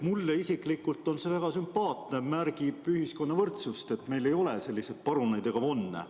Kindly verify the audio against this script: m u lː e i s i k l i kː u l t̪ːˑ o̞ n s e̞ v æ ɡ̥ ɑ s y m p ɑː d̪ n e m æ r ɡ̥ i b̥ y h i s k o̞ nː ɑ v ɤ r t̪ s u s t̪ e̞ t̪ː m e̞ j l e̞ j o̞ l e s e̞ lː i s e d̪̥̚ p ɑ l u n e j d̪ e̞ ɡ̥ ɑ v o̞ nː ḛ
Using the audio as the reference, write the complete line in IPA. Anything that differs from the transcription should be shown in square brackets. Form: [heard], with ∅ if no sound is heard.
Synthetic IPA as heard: m u lː e i s i k l i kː u l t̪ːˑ o̞ n s e̞ v æ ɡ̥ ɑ s y m p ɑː [t̪] n e m æ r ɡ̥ i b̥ y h i s k o̞ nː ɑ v ɤ r t̪ s u s t̪ e̞ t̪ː m e̞ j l e̞ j o̞ l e s e̞ lː i s e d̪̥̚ p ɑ [ɾ] u n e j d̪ e̞ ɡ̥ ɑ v o̞ nː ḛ